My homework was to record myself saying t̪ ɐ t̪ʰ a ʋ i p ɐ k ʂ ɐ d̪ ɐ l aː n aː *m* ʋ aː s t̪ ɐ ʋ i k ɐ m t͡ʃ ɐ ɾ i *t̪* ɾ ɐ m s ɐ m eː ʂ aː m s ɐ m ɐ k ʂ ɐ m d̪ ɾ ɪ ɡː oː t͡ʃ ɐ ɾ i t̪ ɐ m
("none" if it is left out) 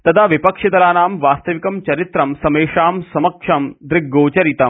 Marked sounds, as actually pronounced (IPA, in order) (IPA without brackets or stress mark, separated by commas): m, t̪